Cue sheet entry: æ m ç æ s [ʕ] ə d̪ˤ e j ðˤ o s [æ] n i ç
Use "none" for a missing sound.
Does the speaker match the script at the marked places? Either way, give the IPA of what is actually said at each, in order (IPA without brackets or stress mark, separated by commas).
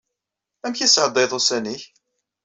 ʕ, æ